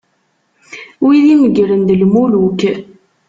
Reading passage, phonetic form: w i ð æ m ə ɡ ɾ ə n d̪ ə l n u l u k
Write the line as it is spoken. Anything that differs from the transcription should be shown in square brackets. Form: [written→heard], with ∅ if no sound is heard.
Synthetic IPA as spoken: w i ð [æ→i] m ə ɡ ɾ ə n d̪ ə l [n→m] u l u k